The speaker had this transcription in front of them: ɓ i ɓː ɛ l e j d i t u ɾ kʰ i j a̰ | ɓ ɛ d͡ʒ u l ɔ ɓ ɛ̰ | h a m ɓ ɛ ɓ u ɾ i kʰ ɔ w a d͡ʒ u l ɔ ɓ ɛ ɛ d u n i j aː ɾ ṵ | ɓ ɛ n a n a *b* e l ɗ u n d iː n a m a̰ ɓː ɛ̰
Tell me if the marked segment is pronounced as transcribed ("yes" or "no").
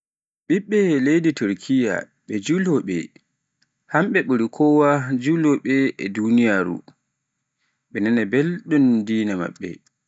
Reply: yes